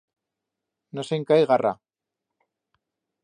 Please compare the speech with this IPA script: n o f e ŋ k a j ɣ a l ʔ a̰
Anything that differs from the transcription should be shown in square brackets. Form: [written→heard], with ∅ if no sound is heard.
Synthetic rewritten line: n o [f→s] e ŋ k a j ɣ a [l→r] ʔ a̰